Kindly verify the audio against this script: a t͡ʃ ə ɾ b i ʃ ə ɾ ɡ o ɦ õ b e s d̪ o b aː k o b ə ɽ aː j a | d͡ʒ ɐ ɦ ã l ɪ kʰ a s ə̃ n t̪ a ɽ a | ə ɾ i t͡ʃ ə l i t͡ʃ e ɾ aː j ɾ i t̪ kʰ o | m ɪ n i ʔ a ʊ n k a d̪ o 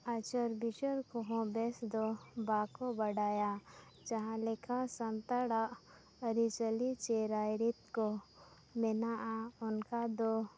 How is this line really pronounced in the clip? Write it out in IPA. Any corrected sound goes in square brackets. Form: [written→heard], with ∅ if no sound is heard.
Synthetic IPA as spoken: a t͡ʃ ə ɾ b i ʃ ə ɾ [ɡ→k] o ɦ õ b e s d̪ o b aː k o b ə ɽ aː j a | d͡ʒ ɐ ɦ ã l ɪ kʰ a s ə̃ n t̪ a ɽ a | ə ɾ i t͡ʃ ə l i t͡ʃ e ɾ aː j ɾ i t̪ [kʰ→k] o | m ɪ n [i→a] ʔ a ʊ n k a d̪ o